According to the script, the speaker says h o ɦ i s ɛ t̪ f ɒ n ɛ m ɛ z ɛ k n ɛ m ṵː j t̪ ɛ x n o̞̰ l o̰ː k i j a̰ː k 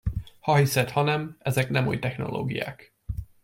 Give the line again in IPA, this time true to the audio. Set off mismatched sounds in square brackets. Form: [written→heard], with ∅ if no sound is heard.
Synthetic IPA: h [o→ɒ] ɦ i s ɛ t̪ [f→h] ɒ n ɛ m ɛ z ɛ k n ɛ m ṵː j t̪ ɛ x n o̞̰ l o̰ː [k→ɡ] i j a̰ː k

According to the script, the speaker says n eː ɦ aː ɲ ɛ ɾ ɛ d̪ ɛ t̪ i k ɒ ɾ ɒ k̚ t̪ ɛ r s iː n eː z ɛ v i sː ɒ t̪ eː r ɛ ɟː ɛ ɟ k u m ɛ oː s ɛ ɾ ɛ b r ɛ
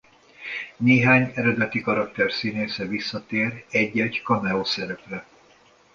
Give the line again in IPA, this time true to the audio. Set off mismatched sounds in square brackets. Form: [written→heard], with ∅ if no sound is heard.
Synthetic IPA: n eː ɦ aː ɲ ɛ ɾ ɛ d̪ ɛ t̪ i k ɒ ɾ ɒ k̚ t̪ ɛ r s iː n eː [z→s] ɛ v i sː ɒ t̪ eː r ɛ ɟː ɛ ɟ k [u→ɒ] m ɛ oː s ɛ ɾ ɛ [b→p] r ɛ

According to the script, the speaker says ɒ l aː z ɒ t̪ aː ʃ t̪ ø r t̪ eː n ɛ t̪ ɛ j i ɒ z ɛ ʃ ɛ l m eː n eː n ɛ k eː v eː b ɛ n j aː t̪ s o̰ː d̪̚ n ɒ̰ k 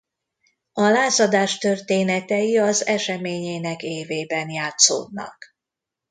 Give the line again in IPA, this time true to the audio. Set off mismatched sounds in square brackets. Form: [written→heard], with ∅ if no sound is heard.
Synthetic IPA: ɒ l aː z ɒ [t̪→d̪] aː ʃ t̪ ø r t̪ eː n ɛ t̪ ɛ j i ɒ z ɛ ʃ ɛ [l→∅] m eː [n→ɲ] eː n ɛ k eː v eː b ɛ n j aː t̪ s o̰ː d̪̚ n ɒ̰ k

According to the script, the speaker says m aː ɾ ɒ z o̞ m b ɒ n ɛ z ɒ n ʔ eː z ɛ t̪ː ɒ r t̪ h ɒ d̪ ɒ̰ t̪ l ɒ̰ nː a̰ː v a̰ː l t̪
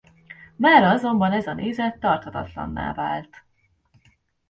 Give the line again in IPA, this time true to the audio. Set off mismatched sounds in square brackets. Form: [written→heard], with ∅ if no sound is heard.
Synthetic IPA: m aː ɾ ɒ z o̞ m b ɒ n ɛ z ɒ n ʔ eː z ɛ t̪ː ɒ r t̪ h ɒ [d̪→t̪] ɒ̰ t̪ l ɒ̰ nː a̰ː v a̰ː l t̪

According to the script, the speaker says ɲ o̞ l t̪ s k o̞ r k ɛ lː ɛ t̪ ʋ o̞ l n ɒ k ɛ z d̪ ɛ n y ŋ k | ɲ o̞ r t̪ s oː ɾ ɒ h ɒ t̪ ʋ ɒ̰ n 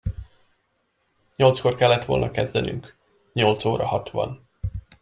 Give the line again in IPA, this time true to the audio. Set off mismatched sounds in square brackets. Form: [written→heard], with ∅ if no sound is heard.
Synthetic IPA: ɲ o̞ l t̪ s k o̞ r k ɛ lː ɛ t̪ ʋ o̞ l n ɒ k ɛ z d̪ ɛ n y ŋ k | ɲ o̞ [r→l] t̪ s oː ɾ ɒ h ɒ t̪ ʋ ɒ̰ n

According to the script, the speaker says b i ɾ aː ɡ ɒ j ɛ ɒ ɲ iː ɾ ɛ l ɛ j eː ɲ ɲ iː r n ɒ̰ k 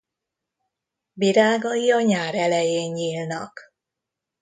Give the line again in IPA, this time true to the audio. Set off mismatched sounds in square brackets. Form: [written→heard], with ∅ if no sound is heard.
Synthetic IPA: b i ɾ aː ɡ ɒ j [ɛ→i] ɒ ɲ [iː→aː] ɾ ɛ l ɛ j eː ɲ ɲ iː [r→l] n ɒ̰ k

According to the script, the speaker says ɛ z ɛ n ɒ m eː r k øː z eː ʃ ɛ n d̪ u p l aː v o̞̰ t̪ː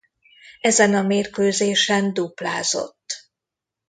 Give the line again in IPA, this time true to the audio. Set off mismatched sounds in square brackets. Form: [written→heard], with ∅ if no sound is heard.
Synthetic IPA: ɛ z ɛ n ɒ m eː r k øː z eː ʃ ɛ n d̪ u p l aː [v→z] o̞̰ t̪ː

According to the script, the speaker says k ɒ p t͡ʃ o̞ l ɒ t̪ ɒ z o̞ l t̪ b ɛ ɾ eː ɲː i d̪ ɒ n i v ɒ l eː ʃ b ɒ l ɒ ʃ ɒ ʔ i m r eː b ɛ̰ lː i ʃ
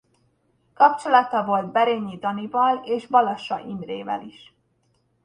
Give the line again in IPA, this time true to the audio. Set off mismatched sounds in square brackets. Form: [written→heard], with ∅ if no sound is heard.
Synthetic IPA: k ɒ p t͡ʃ o̞ l ɒ t̪ ɒ [z→v] o̞ l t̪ b ɛ ɾ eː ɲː i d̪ ɒ n i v ɒ l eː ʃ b ɒ l ɒ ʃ ɒ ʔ i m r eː [b→v] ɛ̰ [lː→l] i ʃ

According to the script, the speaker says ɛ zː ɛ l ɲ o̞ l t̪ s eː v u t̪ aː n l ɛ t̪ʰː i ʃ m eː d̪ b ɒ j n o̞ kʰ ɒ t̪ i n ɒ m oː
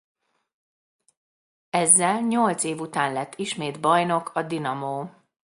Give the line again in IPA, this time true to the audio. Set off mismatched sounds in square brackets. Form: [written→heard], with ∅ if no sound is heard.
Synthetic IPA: ɛ zː ɛ l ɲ o̞ l t̪ s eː v u t̪ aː n l ɛ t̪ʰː i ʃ m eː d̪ b ɒ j n o̞ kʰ ɒ [t̪→d̪] i n ɒ m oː

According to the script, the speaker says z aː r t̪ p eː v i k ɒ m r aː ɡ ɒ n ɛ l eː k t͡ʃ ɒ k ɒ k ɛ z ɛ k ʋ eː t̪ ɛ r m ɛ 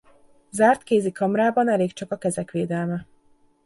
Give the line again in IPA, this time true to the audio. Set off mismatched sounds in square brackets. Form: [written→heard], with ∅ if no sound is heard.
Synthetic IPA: z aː r t̪ [p→k] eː [v→z] i k ɒ m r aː [ɡ→b] ɒ n ɛ l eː k t͡ʃ ɒ k ɒ k ɛ z ɛ k ʋ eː [t̪→d̪] ɛ [r→l] m ɛ

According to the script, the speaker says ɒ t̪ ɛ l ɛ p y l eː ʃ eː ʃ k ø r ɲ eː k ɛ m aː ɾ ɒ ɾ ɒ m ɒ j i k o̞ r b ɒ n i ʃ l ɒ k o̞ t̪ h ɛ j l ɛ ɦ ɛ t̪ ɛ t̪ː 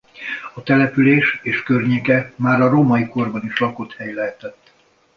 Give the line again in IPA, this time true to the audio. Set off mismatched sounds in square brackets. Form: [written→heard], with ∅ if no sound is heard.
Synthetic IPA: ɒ t̪ ɛ l ɛ p y l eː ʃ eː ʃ k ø r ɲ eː k ɛ m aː ɾ ɒ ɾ [ɒ→o] m ɒ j i k o̞ r b ɒ n i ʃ l ɒ k o̞ t̪ h ɛ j l ɛ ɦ ɛ t̪ ɛ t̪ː

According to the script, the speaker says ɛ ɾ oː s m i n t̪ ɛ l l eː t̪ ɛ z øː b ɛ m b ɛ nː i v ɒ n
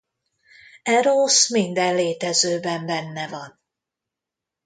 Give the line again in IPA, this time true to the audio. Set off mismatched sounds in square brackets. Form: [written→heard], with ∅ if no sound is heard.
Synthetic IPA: ɛ ɾ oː s m i n [t̪→d̪] ɛ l l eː t̪ ɛ z øː b ɛ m b ɛ nː [i→ɛ] v ɒ n

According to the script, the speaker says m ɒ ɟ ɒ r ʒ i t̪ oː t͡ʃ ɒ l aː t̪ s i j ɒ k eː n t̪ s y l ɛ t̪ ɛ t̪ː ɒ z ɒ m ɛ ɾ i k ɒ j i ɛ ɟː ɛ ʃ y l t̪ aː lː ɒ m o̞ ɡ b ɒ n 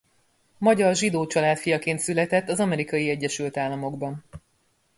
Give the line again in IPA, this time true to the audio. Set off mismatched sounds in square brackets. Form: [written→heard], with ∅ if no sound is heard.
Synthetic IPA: m ɒ ɟ ɒ r ʒ i [t̪→d̪] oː t͡ʃ ɒ l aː t̪ [s→f] i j ɒ k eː n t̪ s y l ɛ t̪ ɛ t̪ː ɒ z ɒ m ɛ ɾ i k ɒ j i ɛ ɟː ɛ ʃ y l t̪ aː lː ɒ m o̞ ɡ b ɒ n

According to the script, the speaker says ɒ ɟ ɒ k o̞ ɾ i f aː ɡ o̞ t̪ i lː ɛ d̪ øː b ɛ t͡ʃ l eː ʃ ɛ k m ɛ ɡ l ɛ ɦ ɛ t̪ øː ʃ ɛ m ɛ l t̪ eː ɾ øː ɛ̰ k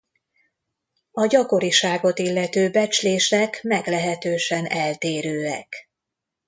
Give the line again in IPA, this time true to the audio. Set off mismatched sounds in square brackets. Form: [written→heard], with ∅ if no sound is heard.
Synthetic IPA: ɒ ɟ ɒ k o̞ ɾ i [f→ʃ] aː ɡ o̞ t̪ i lː ɛ [d̪→t̪] øː b ɛ t͡ʃ l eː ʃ ɛ k m ɛ ɡ l ɛ ɦ ɛ t̪ øː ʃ ɛ [m→n] ɛ l t̪ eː ɾ øː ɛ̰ k

